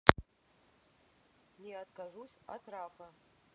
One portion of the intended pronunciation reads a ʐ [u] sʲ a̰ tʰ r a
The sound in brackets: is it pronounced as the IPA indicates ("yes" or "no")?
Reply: yes